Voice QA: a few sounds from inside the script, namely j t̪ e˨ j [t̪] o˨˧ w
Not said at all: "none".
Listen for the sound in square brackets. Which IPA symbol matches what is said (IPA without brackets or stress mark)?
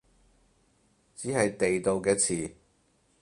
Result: t̪